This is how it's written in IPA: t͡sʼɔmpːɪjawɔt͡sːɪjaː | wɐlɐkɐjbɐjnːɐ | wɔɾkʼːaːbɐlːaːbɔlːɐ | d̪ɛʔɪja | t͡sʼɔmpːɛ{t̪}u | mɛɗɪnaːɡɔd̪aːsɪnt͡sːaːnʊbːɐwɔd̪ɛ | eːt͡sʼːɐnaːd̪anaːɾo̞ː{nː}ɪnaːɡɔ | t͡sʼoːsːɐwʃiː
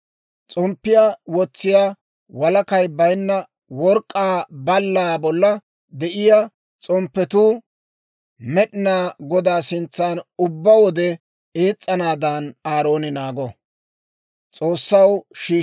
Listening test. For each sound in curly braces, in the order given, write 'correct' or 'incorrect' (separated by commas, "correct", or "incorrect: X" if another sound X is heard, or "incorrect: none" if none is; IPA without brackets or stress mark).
correct, incorrect: n